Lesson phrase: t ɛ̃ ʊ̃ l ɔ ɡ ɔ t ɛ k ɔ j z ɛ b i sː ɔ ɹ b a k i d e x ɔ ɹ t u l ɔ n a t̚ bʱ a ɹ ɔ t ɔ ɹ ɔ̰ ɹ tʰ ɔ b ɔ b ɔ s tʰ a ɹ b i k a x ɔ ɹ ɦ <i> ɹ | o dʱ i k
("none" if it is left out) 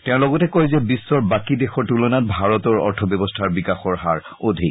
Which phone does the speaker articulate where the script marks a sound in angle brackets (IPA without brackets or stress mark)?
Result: a